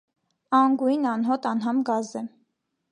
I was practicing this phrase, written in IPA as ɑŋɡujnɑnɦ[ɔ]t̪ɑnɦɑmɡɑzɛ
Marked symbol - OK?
yes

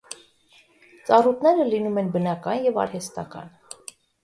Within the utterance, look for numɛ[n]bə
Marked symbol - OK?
yes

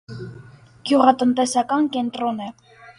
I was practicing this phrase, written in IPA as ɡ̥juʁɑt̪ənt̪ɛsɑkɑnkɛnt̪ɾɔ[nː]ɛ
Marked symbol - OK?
no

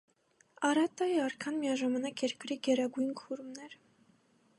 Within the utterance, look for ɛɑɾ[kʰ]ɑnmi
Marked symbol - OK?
yes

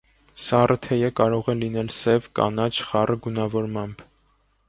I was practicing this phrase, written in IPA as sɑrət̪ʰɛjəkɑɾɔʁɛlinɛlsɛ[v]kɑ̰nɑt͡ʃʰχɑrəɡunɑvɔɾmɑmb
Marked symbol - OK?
yes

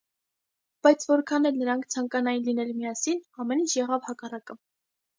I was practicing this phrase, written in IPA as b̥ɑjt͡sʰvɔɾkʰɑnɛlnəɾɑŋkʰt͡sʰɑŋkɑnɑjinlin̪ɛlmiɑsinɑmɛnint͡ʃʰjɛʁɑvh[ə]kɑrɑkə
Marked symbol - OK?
no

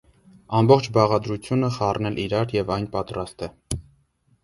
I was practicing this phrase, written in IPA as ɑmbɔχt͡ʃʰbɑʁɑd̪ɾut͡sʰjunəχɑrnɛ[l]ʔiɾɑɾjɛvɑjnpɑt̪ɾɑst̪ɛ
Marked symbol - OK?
yes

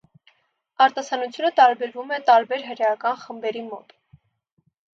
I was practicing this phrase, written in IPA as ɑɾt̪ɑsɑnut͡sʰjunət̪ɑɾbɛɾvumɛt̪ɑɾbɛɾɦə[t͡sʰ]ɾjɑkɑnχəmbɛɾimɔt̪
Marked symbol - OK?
no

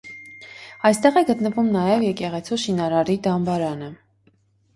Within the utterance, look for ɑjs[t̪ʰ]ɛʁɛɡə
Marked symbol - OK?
no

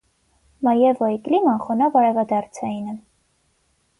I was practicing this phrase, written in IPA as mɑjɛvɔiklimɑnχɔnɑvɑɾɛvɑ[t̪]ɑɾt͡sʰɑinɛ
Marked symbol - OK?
no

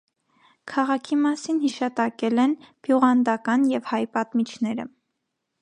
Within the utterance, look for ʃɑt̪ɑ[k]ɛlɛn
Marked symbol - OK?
yes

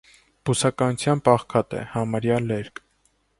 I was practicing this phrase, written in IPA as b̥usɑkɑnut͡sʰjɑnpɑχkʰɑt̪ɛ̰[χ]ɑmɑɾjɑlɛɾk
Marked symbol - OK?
no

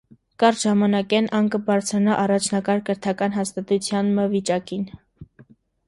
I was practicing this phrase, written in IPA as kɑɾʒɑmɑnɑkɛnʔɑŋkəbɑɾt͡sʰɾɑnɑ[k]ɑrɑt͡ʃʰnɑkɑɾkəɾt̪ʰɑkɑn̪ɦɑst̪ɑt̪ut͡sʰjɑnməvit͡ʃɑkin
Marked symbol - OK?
no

